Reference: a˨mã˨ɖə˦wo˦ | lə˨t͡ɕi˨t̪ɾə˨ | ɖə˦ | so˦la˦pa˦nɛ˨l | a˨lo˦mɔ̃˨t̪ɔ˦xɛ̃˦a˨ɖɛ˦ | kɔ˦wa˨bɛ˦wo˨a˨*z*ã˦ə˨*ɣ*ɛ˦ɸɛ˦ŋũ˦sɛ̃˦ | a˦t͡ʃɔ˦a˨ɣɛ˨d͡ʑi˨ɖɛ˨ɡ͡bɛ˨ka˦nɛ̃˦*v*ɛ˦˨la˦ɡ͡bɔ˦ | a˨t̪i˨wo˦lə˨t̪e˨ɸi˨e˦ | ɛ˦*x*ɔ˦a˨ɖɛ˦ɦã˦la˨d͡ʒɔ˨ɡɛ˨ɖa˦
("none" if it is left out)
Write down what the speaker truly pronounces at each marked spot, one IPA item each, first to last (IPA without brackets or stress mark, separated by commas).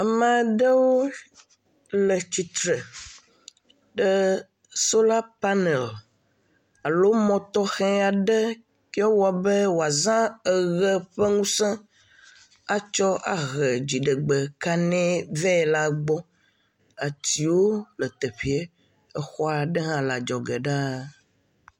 z, ɣ, v, x